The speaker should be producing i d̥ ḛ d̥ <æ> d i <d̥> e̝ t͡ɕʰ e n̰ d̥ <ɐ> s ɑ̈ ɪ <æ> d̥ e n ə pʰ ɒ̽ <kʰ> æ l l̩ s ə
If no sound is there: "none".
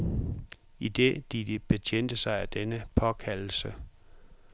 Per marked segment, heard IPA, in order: i, b̥, ə, æ, kʰ

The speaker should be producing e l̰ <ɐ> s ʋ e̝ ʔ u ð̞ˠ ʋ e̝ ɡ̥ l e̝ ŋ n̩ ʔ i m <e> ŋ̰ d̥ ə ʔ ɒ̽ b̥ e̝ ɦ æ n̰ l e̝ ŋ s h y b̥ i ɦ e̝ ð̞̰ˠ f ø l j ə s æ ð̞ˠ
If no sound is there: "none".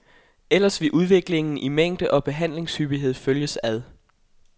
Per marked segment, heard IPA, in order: ɐ, e

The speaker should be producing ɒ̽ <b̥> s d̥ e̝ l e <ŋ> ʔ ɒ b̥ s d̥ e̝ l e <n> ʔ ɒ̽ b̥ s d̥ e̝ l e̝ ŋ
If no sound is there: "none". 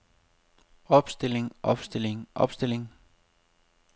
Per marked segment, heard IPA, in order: b̥, ŋ, ŋ

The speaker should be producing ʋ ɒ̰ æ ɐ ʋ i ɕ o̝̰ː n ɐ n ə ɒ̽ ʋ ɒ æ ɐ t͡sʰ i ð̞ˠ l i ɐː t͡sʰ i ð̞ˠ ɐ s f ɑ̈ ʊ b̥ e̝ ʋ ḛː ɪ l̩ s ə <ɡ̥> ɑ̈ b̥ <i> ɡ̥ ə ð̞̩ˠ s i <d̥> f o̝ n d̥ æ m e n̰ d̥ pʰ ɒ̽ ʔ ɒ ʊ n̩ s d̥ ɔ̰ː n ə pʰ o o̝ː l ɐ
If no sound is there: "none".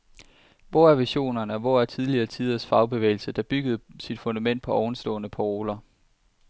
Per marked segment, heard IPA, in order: d̥, y, d̥

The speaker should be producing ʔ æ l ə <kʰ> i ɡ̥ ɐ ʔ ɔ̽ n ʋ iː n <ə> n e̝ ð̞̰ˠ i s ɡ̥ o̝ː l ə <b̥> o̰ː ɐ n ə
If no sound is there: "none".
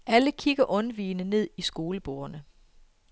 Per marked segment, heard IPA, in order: kʰ, ə, b̥

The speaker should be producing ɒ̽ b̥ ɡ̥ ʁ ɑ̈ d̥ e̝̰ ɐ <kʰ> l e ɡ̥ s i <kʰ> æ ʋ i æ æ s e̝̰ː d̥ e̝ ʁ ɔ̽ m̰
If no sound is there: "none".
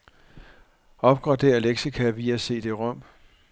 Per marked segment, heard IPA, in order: none, kʰ

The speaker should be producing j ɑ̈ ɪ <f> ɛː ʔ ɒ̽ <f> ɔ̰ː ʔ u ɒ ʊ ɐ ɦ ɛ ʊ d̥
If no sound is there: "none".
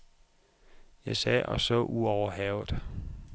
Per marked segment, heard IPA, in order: s, s

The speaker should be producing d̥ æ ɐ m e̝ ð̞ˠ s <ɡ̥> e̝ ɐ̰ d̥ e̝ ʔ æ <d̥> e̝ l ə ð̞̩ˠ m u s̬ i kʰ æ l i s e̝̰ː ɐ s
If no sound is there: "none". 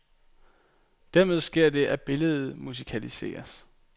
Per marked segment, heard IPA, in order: ɡ̥, b̥

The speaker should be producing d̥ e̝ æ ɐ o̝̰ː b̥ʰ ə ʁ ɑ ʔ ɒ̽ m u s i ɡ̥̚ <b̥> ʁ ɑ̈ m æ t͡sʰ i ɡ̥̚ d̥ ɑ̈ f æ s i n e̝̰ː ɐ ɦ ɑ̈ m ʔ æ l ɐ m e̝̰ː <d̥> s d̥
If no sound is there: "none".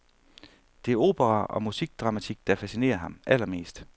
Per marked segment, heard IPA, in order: d̥, none

